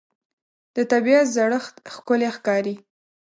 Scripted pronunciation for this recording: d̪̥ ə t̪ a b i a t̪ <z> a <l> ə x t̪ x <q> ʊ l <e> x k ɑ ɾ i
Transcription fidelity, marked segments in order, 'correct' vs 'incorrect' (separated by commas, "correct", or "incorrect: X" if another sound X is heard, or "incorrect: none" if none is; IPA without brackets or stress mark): correct, incorrect: ɽ, incorrect: k, correct